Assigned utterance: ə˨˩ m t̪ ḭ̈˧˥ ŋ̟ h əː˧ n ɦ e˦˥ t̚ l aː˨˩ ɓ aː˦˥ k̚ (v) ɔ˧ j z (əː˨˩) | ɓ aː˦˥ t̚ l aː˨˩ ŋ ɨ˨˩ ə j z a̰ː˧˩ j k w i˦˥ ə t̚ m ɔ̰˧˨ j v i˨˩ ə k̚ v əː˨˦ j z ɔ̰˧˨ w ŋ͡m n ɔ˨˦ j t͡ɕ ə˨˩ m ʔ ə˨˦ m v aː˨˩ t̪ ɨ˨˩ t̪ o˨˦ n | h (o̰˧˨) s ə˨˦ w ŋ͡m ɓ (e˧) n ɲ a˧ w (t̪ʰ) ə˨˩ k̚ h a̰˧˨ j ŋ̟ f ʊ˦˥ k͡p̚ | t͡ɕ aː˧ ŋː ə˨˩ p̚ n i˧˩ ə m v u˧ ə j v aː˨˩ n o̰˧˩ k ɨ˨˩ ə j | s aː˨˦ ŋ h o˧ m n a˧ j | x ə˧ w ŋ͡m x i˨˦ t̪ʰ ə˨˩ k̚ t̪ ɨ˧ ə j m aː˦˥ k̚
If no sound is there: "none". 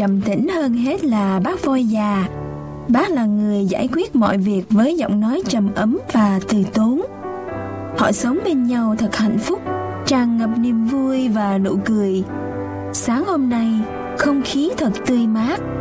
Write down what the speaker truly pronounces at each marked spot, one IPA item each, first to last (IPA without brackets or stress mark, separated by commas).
v, aː˨˩, ɔ̰˧˨, e˧, t̪ʰ